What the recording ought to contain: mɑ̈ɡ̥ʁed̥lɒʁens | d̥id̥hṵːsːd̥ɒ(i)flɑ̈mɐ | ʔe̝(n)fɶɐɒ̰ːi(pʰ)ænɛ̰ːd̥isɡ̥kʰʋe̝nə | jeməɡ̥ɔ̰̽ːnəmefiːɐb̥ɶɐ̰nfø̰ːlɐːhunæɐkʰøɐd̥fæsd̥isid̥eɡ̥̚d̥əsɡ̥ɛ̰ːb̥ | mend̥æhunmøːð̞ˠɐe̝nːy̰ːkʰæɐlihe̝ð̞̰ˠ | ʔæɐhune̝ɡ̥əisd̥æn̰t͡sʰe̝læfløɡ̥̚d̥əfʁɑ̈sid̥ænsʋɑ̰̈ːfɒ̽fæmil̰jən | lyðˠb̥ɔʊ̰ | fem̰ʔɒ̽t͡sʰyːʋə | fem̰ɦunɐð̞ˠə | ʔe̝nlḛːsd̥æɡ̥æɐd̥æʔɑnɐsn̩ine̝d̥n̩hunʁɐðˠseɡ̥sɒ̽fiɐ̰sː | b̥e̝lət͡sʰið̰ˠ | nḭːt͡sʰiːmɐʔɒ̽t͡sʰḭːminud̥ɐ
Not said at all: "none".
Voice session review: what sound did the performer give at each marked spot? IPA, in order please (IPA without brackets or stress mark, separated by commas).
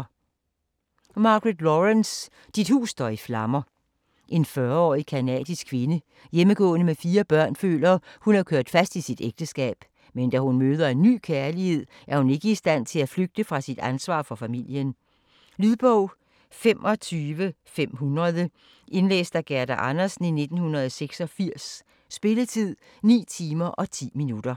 i, n, kʰ